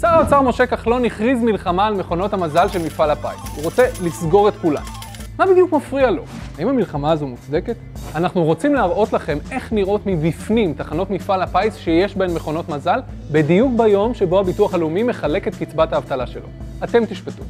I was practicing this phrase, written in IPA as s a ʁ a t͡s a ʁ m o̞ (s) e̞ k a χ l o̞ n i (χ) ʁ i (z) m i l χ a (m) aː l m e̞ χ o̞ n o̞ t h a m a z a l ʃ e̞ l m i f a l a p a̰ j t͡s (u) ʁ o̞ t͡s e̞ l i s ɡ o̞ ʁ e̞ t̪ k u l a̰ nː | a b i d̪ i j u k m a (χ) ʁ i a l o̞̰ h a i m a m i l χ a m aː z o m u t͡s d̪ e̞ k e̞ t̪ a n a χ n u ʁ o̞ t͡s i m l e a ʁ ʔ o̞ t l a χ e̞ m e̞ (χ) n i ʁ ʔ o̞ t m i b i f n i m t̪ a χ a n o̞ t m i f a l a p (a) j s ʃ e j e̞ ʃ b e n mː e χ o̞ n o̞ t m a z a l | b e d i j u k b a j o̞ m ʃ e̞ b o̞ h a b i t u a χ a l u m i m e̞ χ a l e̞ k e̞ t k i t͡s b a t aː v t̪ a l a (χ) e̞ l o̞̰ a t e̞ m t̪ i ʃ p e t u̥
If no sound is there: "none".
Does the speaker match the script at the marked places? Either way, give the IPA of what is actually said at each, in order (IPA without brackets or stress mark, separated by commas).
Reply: ʃ, χ, z, m, u, f, χ, a, ʃ